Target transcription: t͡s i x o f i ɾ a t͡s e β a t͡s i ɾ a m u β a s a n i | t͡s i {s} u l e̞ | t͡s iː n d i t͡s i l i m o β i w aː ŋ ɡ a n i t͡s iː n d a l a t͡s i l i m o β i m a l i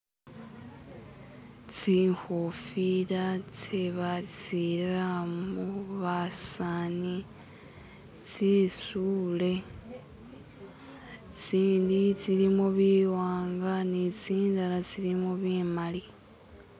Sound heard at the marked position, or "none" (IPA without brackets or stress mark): s